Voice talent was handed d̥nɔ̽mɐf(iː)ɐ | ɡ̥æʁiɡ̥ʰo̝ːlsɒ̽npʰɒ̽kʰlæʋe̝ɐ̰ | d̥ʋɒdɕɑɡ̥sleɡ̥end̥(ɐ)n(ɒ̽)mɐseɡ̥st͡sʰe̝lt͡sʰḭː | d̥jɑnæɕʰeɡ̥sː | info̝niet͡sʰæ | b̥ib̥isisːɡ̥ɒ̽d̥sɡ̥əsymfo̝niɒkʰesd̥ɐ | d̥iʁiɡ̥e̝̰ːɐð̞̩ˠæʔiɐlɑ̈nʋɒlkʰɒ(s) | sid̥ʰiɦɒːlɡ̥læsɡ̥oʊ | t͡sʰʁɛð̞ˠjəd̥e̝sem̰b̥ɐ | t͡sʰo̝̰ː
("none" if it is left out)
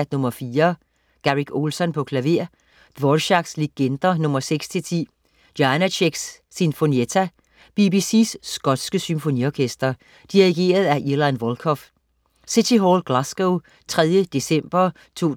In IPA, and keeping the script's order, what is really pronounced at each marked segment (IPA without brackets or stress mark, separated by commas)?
iː, ɐ, ɔ̽, f